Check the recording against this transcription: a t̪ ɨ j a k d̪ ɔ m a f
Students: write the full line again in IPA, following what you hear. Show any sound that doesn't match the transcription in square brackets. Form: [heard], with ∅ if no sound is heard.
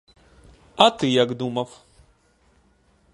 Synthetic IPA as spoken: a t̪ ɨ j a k d̪ [u] m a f